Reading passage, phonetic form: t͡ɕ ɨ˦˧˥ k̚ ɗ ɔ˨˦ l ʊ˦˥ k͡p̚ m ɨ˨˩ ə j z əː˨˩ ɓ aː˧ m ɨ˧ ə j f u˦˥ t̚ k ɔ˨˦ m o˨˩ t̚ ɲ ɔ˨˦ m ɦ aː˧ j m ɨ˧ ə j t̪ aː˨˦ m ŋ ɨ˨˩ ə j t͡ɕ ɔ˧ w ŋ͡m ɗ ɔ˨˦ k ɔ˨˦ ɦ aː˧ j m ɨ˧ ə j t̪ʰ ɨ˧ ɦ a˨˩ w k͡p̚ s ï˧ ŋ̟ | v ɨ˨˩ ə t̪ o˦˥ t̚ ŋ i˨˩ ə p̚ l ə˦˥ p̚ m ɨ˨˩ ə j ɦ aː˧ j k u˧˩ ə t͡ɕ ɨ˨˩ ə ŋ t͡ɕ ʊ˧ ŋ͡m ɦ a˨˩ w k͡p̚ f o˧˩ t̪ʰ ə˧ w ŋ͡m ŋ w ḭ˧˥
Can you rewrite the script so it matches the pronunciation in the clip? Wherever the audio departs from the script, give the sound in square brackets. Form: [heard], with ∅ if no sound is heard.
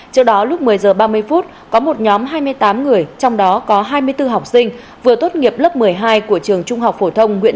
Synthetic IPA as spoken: t͡ɕ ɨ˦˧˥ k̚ ɗ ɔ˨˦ l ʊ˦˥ k͡p̚ m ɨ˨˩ ə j z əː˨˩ ɓ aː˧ m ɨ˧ ə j f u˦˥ t̚ k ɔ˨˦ m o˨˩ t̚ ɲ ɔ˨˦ m ɦ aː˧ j m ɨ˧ ə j t̪ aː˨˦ m ŋ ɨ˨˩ ə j t͡ɕ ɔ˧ w ŋ͡m ɗ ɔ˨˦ k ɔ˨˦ ɦ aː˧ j m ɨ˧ ə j [t̪] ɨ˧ ɦ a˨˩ w k͡p̚ s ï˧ ŋ̟ | v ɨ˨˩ ə t̪ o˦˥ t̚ ŋ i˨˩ ə p̚ l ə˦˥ p̚ m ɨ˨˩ ə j ɦ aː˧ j k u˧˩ ə t͡ɕ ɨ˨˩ ə ŋ t͡ɕ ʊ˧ ŋ͡m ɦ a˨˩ w k͡p̚ f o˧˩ t̪ʰ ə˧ w ŋ͡m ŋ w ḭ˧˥